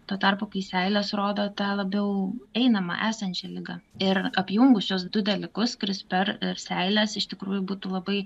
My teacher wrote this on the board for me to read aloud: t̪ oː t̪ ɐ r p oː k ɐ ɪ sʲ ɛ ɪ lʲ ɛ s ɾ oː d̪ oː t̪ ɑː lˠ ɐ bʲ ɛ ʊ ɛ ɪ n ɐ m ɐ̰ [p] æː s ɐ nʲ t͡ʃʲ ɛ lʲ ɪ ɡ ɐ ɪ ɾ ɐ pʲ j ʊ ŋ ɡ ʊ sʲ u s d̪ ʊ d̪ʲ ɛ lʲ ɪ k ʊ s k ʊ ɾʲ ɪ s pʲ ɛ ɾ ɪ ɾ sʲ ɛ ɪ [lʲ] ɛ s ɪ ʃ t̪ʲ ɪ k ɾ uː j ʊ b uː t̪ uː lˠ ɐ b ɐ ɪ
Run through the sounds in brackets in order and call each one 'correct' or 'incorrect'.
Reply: incorrect: ʔ, correct

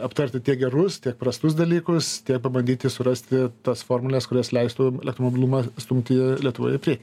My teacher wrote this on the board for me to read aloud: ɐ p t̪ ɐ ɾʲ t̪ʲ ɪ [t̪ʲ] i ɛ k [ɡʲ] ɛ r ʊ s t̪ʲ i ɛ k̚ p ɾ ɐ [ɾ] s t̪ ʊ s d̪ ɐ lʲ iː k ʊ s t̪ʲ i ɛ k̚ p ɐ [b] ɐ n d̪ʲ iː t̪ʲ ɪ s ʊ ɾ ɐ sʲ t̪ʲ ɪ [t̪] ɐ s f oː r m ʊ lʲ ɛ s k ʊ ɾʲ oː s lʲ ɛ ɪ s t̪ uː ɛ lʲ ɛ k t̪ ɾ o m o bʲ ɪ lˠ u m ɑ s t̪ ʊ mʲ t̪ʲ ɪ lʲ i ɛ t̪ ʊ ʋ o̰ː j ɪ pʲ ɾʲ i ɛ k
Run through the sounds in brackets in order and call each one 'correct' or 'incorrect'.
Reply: correct, correct, incorrect: none, correct, correct

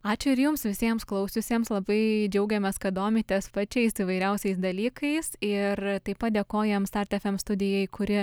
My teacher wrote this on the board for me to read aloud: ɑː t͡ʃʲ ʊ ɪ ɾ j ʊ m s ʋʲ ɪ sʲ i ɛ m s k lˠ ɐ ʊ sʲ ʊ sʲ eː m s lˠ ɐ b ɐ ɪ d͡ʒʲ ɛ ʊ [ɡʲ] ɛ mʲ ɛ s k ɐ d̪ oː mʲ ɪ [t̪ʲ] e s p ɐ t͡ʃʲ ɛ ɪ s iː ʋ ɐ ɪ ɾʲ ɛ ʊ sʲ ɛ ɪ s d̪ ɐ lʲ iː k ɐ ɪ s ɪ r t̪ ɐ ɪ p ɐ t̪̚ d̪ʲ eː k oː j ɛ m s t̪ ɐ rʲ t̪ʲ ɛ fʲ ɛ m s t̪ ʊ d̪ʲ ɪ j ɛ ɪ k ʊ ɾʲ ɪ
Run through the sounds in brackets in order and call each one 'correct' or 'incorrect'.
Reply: correct, correct

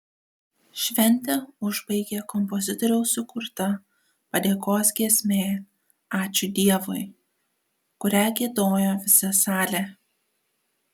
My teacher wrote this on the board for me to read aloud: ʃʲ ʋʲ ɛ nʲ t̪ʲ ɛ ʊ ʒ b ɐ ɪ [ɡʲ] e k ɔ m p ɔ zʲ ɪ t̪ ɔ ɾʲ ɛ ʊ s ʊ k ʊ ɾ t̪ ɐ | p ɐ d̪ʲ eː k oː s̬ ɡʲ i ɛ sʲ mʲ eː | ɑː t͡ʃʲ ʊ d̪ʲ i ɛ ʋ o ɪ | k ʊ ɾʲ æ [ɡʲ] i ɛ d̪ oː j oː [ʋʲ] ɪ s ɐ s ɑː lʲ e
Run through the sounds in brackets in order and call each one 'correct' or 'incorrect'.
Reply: correct, correct, correct

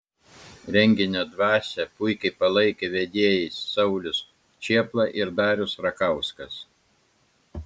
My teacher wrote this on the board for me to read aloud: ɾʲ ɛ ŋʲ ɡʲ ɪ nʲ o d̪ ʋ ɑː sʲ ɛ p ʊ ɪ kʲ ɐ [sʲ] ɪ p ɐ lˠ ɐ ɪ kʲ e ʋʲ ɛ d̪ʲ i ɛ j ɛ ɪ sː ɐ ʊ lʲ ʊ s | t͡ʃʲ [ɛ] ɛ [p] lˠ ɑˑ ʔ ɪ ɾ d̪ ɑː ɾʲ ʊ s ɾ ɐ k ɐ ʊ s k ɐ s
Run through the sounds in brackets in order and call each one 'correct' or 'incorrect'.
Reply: incorrect: none, incorrect: i, correct

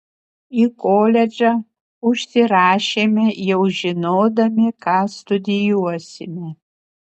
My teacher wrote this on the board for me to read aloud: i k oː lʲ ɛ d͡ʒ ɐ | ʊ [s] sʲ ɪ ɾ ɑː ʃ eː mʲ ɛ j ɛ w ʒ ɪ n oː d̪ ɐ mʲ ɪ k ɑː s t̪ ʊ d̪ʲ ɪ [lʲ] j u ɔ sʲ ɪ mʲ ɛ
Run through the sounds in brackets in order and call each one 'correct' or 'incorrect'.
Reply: incorrect: ʃ, incorrect: none

